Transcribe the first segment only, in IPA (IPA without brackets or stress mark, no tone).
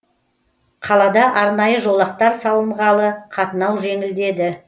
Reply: qʰ